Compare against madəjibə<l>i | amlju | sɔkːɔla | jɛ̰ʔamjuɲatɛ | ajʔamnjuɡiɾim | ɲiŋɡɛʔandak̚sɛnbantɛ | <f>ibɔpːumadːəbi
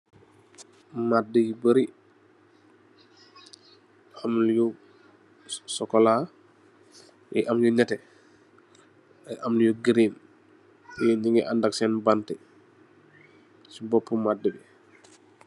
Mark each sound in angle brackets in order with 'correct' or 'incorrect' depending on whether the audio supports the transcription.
incorrect, incorrect

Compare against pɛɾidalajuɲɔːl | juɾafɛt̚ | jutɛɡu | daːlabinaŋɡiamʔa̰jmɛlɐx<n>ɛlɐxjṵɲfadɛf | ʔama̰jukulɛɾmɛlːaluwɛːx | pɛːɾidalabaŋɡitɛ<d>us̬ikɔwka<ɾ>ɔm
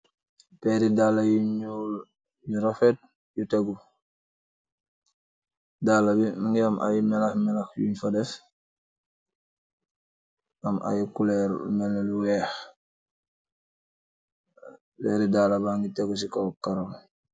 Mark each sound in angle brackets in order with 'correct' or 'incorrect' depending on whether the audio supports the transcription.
incorrect, incorrect, correct

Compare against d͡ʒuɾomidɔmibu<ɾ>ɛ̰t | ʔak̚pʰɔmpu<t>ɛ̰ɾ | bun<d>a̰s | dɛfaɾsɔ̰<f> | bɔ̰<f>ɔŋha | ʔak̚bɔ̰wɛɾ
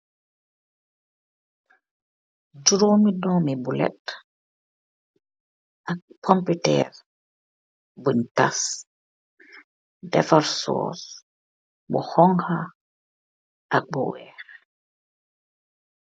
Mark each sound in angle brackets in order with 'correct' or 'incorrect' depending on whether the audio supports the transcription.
incorrect, correct, incorrect, incorrect, incorrect

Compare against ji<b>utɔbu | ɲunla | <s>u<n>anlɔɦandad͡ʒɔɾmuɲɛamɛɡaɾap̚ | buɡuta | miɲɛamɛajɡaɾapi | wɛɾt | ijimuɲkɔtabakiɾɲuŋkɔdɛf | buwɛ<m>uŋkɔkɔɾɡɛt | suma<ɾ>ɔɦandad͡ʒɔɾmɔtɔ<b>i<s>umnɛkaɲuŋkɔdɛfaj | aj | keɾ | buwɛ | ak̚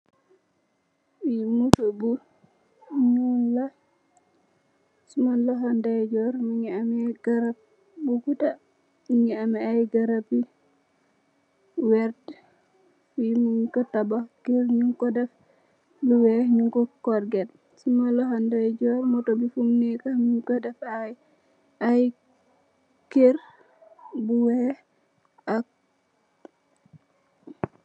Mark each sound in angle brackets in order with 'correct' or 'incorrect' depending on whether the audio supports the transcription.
incorrect, correct, incorrect, incorrect, incorrect, correct, incorrect

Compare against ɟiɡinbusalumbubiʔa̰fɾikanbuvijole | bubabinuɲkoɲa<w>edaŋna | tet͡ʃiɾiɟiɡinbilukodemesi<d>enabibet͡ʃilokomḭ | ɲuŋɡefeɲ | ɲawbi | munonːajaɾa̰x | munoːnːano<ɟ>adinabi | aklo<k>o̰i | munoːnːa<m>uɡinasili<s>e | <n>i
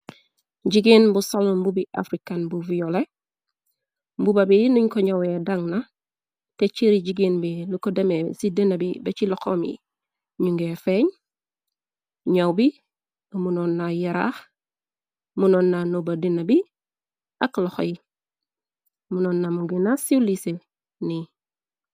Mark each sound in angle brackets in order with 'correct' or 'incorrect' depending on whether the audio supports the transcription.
correct, correct, incorrect, incorrect, correct, correct, correct

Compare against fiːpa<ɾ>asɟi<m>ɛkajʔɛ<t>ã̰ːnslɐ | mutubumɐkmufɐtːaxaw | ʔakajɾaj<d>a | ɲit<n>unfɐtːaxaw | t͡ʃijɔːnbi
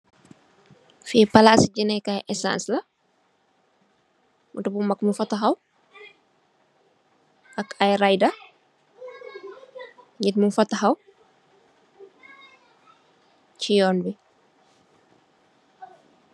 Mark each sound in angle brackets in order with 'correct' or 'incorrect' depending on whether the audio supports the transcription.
incorrect, incorrect, incorrect, correct, incorrect

